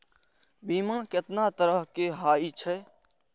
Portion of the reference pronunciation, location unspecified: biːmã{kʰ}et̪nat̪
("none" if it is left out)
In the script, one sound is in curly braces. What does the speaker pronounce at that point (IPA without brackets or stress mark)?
k